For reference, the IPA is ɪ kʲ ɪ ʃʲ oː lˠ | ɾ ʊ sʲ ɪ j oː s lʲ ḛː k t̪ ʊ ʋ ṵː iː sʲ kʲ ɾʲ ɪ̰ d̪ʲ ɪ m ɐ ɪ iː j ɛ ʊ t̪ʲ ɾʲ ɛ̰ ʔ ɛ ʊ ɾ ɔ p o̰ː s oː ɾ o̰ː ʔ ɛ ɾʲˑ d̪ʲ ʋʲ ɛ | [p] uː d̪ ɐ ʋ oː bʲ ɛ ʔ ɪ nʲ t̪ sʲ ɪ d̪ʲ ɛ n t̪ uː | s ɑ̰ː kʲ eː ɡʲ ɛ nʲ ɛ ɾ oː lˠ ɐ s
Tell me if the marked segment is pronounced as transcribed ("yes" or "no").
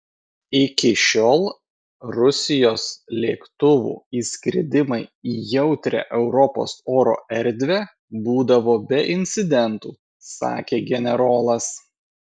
no